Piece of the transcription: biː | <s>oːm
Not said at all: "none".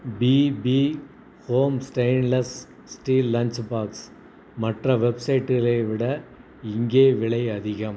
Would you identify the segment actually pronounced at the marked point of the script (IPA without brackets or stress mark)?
h